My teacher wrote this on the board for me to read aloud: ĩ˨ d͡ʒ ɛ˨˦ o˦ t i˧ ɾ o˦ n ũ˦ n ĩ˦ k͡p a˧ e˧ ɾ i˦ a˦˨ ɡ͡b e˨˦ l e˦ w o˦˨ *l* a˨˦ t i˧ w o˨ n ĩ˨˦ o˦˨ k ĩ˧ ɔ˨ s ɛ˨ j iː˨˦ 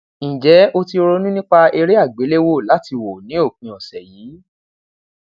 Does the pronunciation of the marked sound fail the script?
no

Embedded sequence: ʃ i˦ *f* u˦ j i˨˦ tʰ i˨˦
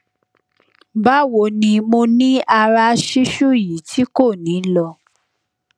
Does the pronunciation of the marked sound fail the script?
yes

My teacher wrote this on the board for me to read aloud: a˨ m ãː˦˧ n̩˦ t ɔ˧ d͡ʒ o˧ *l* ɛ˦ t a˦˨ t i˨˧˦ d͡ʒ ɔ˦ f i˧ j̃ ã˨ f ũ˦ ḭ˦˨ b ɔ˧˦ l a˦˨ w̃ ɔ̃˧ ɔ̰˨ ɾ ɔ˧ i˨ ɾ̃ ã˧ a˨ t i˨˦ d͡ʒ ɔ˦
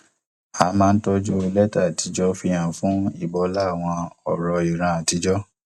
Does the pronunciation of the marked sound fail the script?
no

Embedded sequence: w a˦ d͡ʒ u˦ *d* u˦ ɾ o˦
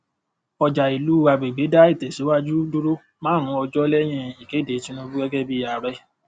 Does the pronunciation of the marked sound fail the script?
no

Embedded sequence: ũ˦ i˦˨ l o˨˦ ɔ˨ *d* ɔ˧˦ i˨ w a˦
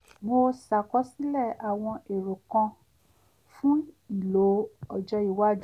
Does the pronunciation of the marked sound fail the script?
yes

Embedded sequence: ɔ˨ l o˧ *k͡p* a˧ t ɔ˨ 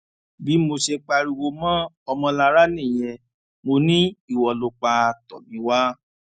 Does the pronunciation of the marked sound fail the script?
no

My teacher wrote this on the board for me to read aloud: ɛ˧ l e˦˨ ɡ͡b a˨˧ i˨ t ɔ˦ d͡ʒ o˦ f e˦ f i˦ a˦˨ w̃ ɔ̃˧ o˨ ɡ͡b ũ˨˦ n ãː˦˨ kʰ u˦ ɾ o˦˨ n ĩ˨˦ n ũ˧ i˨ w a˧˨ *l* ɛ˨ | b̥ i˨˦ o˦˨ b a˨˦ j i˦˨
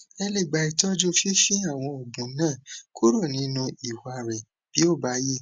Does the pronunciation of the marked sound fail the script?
yes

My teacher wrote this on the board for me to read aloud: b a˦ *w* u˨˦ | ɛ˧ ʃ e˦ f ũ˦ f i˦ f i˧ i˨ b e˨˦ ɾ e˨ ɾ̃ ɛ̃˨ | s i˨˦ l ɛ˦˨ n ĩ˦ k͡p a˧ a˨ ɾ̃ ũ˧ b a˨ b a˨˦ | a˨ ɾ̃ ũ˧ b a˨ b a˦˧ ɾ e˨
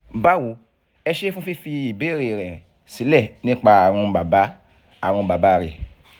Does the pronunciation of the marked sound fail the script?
no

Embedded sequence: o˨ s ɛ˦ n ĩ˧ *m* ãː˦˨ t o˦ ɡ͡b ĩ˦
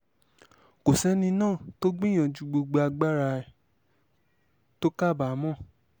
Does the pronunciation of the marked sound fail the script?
yes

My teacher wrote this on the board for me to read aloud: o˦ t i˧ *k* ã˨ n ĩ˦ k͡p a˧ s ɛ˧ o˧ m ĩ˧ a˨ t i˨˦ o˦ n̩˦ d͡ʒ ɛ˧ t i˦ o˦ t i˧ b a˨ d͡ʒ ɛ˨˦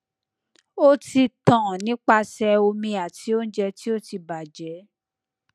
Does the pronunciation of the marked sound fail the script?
yes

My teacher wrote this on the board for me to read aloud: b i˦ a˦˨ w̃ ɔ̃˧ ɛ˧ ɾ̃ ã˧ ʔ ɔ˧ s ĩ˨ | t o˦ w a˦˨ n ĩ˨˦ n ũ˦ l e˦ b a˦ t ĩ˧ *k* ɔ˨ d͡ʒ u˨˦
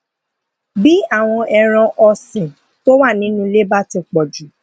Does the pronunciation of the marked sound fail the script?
yes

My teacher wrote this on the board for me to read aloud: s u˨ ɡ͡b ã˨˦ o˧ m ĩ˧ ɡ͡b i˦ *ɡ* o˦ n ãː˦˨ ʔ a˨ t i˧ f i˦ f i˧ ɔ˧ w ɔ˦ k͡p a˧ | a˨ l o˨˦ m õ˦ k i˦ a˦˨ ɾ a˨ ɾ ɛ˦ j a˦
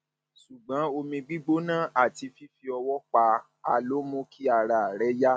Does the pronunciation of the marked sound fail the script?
yes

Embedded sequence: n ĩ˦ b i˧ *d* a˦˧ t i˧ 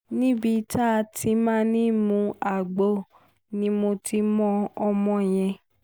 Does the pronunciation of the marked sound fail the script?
yes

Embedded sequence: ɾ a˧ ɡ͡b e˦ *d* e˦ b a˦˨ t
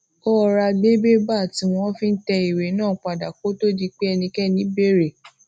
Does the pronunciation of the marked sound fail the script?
yes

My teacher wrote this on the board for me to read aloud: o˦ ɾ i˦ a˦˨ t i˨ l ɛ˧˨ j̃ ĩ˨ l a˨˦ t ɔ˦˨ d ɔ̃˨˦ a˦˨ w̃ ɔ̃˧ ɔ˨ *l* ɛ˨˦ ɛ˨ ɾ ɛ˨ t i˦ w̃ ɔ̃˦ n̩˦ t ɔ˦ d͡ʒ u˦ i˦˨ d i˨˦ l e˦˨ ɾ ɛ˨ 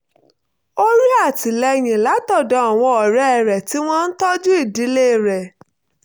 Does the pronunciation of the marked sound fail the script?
yes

